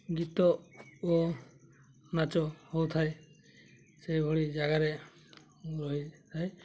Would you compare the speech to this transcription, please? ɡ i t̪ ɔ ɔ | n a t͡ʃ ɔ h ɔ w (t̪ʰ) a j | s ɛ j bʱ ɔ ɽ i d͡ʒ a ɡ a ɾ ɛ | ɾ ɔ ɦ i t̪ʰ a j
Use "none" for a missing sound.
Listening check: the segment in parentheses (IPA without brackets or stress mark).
t̪ʰ